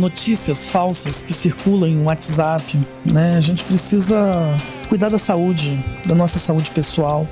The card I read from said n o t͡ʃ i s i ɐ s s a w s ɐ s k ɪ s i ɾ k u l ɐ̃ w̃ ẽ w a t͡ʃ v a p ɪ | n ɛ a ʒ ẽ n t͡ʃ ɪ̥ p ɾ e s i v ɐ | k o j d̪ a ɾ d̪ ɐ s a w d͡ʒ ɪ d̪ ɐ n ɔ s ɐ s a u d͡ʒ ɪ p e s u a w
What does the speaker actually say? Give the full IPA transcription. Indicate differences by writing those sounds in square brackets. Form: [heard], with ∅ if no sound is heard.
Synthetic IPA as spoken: n o t͡ʃ i s i ɐ s [f] a w s ɐ s k ɪ s i ɾ k u l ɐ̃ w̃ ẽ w a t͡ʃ [z] a p ɪ | n ɛ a ʒ ẽ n t͡ʃ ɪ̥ p ɾ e s i [z] ɐ | k [u] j d̪ a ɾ d̪ ɐ s a [u] d͡ʒ ɪ d̪ ɐ n ɔ s ɐ s a u d͡ʒ ɪ p e s u a w